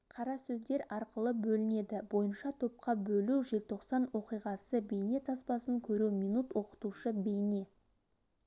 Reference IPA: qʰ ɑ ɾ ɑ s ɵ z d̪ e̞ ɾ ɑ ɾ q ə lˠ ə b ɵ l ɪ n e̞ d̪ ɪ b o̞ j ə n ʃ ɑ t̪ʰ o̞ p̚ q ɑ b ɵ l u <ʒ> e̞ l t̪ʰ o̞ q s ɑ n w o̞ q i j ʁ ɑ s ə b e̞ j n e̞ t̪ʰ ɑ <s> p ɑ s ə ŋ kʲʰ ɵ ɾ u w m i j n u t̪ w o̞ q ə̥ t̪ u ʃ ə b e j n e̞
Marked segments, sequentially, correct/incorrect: correct, correct

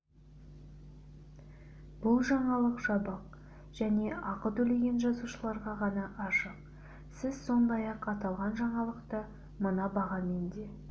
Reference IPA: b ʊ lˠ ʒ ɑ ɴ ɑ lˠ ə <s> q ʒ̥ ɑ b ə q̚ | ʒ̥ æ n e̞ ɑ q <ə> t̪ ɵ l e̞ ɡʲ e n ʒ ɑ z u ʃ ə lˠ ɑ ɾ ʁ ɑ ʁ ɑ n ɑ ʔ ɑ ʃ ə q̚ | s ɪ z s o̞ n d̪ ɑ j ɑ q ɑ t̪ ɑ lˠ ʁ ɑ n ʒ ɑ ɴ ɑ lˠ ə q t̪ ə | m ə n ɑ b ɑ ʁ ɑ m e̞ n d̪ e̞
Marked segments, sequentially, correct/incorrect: incorrect: none, correct

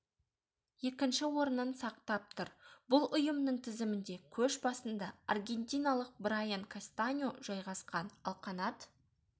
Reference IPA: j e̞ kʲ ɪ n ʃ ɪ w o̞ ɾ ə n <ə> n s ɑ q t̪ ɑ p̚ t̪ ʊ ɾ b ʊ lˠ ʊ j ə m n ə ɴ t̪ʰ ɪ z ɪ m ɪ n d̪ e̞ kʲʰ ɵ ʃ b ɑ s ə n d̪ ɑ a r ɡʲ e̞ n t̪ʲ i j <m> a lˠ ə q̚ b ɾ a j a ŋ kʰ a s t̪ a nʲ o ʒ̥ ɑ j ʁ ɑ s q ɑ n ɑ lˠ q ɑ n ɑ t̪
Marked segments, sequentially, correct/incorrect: correct, incorrect: n

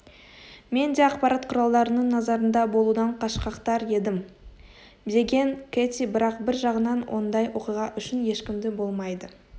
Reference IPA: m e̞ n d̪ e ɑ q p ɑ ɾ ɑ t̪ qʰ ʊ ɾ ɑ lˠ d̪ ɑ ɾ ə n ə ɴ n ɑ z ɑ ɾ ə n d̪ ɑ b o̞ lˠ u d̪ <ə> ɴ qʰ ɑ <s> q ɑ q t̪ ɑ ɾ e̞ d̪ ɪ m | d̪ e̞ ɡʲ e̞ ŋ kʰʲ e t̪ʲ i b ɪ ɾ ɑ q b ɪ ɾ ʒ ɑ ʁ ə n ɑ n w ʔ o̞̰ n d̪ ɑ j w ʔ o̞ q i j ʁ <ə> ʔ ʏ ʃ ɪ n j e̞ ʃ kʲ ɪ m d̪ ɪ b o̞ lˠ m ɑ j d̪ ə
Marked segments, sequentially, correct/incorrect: incorrect: ɑ, incorrect: ʃ, incorrect: ɑ

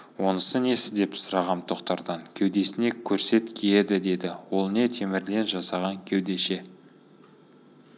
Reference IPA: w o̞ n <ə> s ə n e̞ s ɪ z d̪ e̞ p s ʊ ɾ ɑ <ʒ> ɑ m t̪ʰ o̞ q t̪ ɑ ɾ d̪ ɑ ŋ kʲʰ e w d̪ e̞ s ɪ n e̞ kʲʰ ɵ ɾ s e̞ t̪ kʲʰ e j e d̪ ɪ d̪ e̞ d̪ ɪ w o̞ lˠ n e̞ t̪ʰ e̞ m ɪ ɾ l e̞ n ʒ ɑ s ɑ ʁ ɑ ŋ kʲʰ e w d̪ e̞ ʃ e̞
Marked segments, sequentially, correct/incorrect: correct, incorrect: ʁ

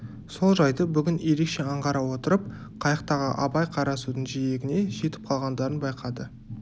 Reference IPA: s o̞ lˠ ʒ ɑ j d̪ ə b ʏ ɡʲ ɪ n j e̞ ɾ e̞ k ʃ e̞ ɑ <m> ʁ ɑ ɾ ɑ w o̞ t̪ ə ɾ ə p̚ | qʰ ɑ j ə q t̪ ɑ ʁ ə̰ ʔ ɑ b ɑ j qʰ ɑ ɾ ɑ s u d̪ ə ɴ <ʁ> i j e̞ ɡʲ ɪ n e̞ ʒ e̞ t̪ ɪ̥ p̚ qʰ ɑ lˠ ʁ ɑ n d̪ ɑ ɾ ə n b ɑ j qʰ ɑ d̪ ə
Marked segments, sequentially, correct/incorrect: incorrect: ɴ, incorrect: ʒ

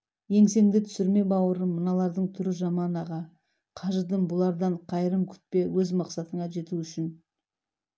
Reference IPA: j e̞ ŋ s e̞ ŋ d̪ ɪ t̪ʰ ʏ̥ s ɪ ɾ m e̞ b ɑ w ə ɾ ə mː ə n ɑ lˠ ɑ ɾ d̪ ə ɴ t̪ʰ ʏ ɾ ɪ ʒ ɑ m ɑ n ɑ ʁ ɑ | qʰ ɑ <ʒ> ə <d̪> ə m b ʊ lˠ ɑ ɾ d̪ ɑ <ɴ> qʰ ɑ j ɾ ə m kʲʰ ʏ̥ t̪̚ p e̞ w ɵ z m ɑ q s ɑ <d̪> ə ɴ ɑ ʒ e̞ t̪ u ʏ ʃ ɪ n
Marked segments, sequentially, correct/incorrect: correct, correct, correct, incorrect: t̪

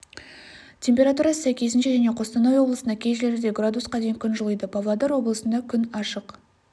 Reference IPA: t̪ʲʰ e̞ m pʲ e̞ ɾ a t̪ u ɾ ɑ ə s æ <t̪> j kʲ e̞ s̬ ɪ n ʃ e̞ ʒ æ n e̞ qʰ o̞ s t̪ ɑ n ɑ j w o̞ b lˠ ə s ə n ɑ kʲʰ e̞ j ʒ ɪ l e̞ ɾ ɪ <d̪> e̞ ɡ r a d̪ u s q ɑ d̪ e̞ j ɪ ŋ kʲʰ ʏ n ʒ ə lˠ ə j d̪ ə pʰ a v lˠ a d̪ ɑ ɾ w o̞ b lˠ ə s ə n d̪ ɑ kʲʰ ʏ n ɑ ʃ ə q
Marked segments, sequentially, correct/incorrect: incorrect: none, correct

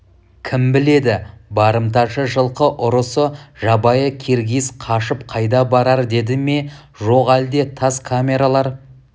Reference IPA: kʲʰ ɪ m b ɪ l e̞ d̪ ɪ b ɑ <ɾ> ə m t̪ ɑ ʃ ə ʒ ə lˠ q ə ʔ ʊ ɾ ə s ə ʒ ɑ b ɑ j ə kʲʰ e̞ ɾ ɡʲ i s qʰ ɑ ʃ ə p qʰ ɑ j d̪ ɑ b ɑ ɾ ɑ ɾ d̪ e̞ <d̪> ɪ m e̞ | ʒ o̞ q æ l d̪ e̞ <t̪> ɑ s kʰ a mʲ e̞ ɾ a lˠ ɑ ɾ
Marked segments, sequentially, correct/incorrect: correct, correct, incorrect: t̪ʰ

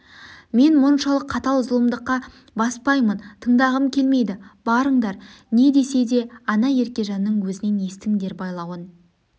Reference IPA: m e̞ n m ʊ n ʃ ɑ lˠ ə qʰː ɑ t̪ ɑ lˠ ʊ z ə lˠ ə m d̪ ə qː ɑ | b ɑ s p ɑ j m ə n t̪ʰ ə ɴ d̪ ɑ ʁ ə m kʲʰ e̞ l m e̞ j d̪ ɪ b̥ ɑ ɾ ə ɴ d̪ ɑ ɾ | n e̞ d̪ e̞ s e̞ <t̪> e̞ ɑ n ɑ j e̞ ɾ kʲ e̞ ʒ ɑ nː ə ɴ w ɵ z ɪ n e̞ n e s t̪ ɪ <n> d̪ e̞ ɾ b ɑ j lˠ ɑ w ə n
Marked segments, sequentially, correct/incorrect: incorrect: d̪, incorrect: ŋ

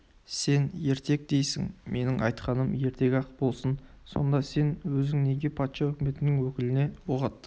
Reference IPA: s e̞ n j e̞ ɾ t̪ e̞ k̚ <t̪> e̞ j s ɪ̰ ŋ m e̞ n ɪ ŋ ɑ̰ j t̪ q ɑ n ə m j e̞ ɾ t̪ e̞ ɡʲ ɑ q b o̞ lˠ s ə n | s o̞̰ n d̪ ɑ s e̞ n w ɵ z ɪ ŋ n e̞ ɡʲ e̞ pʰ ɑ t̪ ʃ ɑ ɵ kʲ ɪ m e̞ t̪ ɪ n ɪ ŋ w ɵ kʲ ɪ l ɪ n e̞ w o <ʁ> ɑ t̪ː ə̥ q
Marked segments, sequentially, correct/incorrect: incorrect: d̪, correct

